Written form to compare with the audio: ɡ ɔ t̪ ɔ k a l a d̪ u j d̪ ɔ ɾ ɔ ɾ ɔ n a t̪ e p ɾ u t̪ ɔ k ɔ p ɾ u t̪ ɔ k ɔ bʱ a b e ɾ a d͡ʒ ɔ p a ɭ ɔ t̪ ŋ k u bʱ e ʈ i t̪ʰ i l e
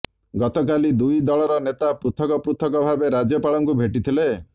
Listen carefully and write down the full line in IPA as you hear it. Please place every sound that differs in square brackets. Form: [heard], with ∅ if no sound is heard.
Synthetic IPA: ɡ ɔ t̪ ɔ k a l [i] d̪ u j d̪ ɔ [ɭ] ɔ ɾ ɔ n [e] t̪ [a] p ɾ u [t̪ʰ] ɔ k ɔ p ɾ u [t̪ʰ] ɔ k ɔ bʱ a b e ɾ a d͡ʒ ɔ p a ɭ ɔ [∅] ŋ k u bʱ e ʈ i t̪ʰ i l e

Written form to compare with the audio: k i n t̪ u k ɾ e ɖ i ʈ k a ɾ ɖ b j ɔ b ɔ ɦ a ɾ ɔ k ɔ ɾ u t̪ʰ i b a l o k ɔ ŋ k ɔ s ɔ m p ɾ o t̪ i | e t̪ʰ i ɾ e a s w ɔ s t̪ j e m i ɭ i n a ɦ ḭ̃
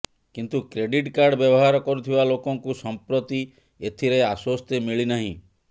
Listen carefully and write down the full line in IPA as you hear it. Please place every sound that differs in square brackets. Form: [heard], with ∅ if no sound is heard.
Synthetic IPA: k i n t̪ u k ɾ e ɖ i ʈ k a ɾ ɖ b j ɔ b ɔ ɦ a ɾ ɔ k ɔ ɾ u t̪ʰ i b a l o k ɔ ŋ k [u] s ɔ m p ɾ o t̪ i | e t̪ʰ i ɾ e a s w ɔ s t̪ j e m i ɭ i n a ɦ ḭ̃

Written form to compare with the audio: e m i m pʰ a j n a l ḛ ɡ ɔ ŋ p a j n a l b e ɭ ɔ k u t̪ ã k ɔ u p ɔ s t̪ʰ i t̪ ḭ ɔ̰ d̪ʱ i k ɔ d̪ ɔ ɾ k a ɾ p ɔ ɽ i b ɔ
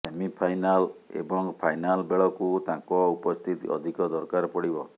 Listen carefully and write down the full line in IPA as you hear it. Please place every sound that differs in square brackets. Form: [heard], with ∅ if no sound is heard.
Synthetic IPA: e m i [∅] pʰ a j n a l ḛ [b] ɔ ŋ [pʰ] a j n a l b e ɭ ɔ k u t̪ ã k ɔ u p ɔ s t̪ʰ i t̪ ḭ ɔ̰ d̪ʱ i k ɔ d̪ ɔ ɾ k a ɾ p ɔ ɽ i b ɔ

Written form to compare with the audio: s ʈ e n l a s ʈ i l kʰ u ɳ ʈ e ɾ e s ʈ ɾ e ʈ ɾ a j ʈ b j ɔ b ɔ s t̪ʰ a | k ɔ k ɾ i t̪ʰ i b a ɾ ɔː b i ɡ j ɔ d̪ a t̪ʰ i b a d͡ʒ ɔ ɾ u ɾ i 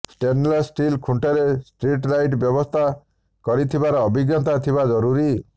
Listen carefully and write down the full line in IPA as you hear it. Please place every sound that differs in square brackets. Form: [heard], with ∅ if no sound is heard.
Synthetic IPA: s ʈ e n l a s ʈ i l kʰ u ɳ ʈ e ɾ e s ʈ ɾ [i] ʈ ɾ a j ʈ b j ɔ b ɔ s t̪ʰ a | k ɔ [∅] ɾ i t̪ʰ i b a ɾ ɔː b i ɡ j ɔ [t̪] a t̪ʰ i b a d͡ʒ ɔ ɾ u ɾ i

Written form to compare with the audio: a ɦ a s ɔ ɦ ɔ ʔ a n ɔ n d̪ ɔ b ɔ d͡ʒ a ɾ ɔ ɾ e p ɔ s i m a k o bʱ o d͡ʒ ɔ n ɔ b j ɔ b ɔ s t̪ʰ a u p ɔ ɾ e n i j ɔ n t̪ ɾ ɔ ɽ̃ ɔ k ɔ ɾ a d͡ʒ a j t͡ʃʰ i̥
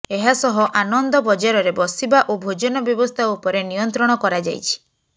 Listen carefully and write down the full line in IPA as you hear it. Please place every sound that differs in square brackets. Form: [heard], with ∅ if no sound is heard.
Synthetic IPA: [e] ɦ a s ɔ ɦ ɔ ʔ a n ɔ n d̪ ɔ b ɔ d͡ʒ a ɾ ɔ ɾ e [b] ɔ s i [b] a [ʔ] o bʱ o d͡ʒ ɔ n ɔ b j ɔ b ɔ s t̪ʰ a u p ɔ ɾ e n i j ɔ n t̪ ɾ ɔ ɽ̃ ɔ k ɔ ɾ a d͡ʒ a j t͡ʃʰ i̥

